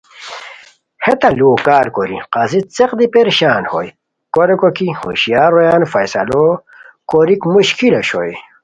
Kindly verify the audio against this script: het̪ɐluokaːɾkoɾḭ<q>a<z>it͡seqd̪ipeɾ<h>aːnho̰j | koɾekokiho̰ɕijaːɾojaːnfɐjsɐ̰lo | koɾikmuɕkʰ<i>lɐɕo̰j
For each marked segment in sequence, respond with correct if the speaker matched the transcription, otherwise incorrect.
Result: correct, correct, incorrect, correct

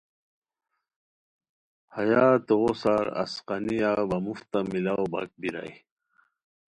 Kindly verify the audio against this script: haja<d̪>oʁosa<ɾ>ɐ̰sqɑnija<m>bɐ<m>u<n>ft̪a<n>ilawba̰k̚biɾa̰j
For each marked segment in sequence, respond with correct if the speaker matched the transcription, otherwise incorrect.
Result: incorrect, correct, incorrect, correct, incorrect, incorrect

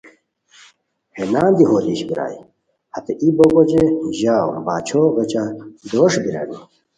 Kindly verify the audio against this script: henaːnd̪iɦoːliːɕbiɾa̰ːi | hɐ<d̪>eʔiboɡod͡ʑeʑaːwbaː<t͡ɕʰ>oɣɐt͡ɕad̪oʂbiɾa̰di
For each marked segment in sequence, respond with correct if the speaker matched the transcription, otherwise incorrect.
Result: incorrect, correct

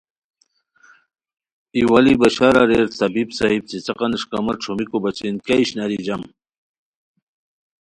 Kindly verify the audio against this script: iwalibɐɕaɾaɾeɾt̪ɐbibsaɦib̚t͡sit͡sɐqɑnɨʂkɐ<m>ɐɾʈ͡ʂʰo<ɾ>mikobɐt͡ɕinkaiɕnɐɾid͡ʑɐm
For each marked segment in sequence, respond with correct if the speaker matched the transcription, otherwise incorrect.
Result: correct, incorrect

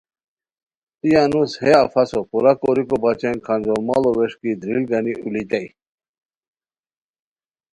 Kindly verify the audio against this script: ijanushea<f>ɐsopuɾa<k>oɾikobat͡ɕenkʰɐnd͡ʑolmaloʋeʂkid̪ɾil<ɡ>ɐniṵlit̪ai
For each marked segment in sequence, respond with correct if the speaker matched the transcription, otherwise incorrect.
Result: correct, correct, correct

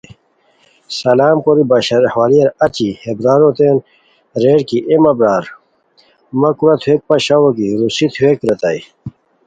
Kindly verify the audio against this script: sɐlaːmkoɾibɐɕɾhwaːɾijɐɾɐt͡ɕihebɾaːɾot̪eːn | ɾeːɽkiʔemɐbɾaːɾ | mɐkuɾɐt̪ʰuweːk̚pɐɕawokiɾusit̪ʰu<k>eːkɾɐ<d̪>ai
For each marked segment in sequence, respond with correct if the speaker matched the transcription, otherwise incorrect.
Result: incorrect, incorrect

